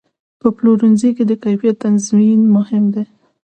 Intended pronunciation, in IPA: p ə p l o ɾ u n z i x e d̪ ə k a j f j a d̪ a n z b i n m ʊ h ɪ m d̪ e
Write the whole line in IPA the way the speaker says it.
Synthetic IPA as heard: p ə p l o ɾ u n z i k e d̪ ə k a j f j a t̪ a n z m i n m ʊ h ɪ m d̪ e